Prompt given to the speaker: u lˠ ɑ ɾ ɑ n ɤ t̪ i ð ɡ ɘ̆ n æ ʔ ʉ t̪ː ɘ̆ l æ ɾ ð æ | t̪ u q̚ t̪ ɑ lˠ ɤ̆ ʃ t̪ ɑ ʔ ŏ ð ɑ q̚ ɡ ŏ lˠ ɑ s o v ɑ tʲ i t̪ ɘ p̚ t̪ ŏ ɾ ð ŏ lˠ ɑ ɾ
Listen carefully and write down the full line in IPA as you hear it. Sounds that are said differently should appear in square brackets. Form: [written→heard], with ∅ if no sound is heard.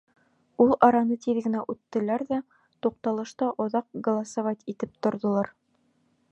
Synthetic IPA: u lˠ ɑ ɾ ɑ n ɤ t̪ i ð ɡ ɘ̆ n æ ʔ ʉ t̪ː ɘ̆ l æ ɾ ð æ | t̪ u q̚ t̪ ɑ lˠ ɤ̆ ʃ t̪ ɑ ʔ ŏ ð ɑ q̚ ɡ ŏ lˠ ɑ s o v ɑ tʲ i t̪ ɘ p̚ t̪ ŏ ɾ ð ŏ lˠ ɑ ɾ